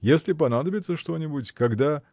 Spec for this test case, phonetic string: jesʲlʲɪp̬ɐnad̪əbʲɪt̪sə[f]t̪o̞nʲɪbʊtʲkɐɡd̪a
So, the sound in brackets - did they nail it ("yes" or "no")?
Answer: no